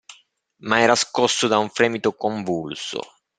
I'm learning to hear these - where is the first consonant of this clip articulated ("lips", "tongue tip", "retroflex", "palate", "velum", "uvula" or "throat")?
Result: lips